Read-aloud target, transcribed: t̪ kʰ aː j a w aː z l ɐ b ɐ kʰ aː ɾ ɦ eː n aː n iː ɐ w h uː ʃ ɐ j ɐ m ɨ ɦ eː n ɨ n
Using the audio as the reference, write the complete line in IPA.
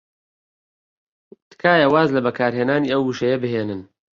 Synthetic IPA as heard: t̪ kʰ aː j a w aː z l ɐ b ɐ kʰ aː ɾ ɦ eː n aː n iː ɐ w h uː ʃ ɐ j ɐ b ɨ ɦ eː n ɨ n